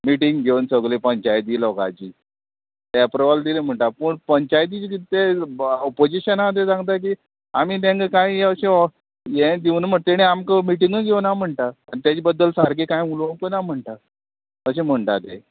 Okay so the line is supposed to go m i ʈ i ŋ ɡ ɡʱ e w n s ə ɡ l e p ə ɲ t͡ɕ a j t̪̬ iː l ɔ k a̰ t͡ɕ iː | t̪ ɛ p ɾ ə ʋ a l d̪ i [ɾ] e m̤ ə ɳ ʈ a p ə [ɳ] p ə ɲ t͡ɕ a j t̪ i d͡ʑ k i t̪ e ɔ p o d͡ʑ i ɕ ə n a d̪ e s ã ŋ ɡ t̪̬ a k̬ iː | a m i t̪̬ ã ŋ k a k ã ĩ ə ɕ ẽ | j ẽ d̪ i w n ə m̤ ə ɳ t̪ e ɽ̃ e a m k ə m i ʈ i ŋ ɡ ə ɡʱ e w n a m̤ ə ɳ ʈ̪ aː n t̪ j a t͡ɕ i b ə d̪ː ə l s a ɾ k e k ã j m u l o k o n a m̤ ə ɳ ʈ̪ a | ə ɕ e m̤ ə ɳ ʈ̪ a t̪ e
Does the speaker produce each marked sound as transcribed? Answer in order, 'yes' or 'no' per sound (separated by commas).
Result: no, yes